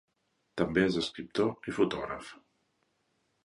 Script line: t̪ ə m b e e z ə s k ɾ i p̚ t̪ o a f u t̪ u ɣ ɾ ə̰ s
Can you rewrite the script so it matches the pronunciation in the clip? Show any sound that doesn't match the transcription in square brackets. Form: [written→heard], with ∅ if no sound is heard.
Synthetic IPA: t̪ ə m b e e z ə s k ɾ i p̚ t̪ o [a→i] f u t̪ [u→ɔ] ɣ ɾ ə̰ [s→f]